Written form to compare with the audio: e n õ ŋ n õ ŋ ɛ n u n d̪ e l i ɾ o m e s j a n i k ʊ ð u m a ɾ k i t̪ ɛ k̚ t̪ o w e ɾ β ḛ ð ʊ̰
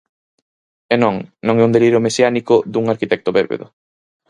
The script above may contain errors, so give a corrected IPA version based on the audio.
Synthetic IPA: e n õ ŋ n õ ŋ ɛ u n d̪ e l i ɾ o m e s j a n i k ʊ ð u ŋ a ɾ k i t̪ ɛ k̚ t̪ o β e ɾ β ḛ ð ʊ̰